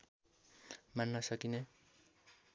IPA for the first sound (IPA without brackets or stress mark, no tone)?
m